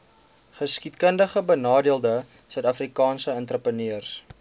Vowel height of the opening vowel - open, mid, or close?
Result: mid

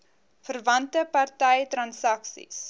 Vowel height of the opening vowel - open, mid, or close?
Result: mid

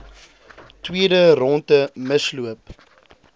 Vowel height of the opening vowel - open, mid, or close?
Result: close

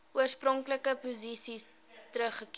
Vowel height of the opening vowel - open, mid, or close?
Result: close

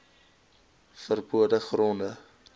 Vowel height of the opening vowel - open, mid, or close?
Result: mid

